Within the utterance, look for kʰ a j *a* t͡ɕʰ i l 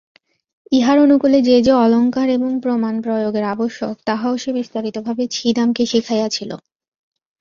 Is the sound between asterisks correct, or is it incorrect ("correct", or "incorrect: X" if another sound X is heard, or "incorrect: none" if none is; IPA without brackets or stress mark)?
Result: correct